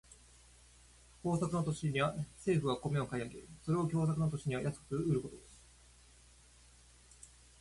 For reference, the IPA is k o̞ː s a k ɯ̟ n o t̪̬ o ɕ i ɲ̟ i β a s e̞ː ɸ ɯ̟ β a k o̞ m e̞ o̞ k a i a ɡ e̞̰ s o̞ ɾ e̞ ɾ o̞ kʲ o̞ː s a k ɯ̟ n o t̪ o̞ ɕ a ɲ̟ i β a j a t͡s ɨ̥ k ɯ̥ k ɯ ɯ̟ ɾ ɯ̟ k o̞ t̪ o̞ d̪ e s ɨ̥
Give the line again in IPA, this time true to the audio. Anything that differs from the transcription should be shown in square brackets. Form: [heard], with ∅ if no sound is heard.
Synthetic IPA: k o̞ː s a k ɯ̟ n o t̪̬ o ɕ i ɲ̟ i β a s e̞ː ɸ ɯ̟ β a k o̞ m e̞ o̞ k a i a ɡ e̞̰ s o̞ ɾ e̞ [∅] o̞ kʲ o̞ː s a k ɯ̟ n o t̪ o̞ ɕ [i] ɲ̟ i β a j a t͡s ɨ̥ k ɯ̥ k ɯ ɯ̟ ɾ ɯ̟ k o̞ t̪ o̞ d̪ e s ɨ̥

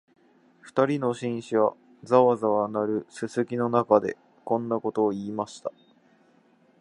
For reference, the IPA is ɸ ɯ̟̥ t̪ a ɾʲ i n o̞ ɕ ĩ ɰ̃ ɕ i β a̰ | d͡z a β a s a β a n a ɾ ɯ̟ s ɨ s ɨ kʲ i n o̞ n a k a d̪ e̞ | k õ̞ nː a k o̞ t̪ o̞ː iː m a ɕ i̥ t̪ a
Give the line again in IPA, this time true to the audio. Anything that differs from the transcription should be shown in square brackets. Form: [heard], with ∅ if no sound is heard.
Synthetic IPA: ɸ ɯ̟̥ t̪ a ɾʲ i n o̞ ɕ ĩ ɰ̃ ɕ i β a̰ | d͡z a β a [z] a β a n a ɾ ɯ̟ s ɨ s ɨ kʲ i n o̞ n a k a d̪ e̞ | k õ̞ nː a k o̞ t̪ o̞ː iː m a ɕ i̥ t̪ a

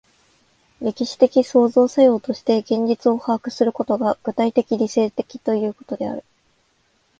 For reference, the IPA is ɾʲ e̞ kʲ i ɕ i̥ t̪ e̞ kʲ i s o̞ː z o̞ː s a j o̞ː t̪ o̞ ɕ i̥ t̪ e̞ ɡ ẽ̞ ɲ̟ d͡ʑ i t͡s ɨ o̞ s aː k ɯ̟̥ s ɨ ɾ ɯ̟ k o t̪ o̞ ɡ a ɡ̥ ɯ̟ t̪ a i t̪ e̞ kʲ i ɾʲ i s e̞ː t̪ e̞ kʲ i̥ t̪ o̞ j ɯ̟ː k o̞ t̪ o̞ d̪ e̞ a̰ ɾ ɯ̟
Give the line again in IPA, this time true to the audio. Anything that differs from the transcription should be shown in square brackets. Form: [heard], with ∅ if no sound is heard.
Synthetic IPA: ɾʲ e̞ kʲ i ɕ i̥ t̪ e̞ kʲ i s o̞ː z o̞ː s a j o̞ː t̪ o̞ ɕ i̥ t̪ e̞ ɡ ẽ̞ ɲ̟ d͡ʑ i t͡s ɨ o̞ [h] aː k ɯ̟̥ s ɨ ɾ ɯ̟ k o t̪ o̞ ɡ a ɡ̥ ɯ̟ t̪ a i t̪ e̞ kʲ i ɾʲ i s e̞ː t̪ e̞ kʲ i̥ t̪ o̞ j ɯ̟ː k o̞ t̪ o̞ d̪ e̞ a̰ ɾ ɯ̟

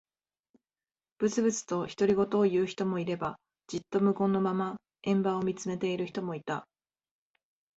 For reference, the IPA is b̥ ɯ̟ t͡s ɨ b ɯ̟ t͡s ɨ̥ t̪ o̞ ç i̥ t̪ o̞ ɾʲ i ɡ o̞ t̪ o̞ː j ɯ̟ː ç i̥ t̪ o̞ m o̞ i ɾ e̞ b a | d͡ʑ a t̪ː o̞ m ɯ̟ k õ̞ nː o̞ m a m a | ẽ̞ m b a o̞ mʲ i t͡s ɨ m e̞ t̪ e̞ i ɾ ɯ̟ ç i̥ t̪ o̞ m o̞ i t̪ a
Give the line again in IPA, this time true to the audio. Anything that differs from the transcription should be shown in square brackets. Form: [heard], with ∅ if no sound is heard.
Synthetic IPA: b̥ ɯ̟ t͡s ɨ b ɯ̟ t͡s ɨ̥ t̪ o̞ ç i̥ t̪ o̞ ɾʲ i ɡ o̞ t̪ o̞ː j ɯ̟ː ç i̥ t̪ o̞ m o̞ i ɾ e̞ b a | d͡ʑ [i] t̪ː o̞ m ɯ̟ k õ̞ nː o̞ m a m a | ẽ̞ m b a o̞ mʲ i t͡s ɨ m e̞ t̪ e̞ i ɾ ɯ̟ ç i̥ t̪ o̞ m o̞ i t̪ a

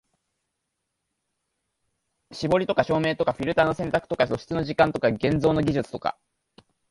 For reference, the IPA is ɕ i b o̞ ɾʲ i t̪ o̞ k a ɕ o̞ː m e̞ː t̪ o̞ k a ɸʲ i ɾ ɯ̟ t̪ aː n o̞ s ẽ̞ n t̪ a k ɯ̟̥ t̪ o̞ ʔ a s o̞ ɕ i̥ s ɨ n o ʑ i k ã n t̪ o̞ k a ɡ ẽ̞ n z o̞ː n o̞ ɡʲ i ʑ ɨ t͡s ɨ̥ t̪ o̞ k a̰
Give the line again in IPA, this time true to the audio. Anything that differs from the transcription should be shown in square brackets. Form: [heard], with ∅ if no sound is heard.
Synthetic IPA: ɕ i b o̞ ɾʲ i t̪ o̞ k a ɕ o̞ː m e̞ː t̪ o̞ k a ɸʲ i ɾ ɯ̟ t̪ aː n o̞ s ẽ̞ n t̪ a k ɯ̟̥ t̪ o̞ [k] a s o̞ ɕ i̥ [t͡s] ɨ n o ʑ i k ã n t̪ o̞ k a ɡ ẽ̞ n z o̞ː n o̞ ɡʲ i ʑ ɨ t͡s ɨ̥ t̪ o̞ k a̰

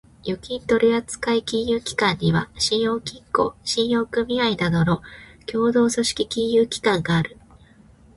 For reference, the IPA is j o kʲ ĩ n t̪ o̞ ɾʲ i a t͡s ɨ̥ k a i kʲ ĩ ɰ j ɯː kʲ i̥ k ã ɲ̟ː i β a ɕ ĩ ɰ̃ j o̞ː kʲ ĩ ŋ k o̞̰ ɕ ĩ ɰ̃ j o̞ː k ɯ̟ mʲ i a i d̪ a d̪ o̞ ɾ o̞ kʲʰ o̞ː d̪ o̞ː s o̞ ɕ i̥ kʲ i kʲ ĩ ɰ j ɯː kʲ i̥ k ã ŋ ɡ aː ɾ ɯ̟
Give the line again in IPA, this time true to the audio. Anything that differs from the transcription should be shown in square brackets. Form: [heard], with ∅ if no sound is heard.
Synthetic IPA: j o kʲ ĩ n t̪ o̞ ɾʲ i a t͡s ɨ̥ k a i kʲ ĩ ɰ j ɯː kʲ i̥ k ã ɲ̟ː i β a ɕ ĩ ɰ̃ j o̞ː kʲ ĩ ŋ k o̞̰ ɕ ĩ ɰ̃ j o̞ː k ɯ̟ mʲ i a i d̪ a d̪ o̞ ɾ o̞ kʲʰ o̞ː d̪ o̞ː s o̞ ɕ i̥ kʲ i kʲ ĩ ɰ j ɯː kʲ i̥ k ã ŋ ɡ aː ɾ ɯ̟

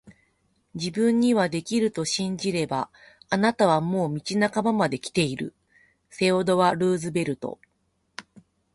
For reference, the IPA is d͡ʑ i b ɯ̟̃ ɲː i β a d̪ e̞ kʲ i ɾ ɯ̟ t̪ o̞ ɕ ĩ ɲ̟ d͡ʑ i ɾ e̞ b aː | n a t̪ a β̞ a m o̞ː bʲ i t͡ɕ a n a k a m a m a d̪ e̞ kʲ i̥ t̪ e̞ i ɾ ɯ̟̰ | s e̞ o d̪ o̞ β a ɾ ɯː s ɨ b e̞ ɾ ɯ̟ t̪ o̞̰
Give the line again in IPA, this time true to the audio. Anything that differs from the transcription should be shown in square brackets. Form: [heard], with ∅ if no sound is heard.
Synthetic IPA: d͡ʑ i b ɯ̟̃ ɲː i β a d̪ e̞ kʲ i ɾ ɯ̟ t̪ o̞ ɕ ĩ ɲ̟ d͡ʑ i ɾ e̞ b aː | n a t̪ a β̞ a m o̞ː [mʲ] i t͡ɕ [i] n a k a m a m a d̪ e̞ kʲ i̥ t̪ e̞ i ɾ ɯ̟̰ | s e̞ o d̪ o̞ β a ɾ ɯː [z] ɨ b e̞ ɾ ɯ̟ t̪ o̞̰

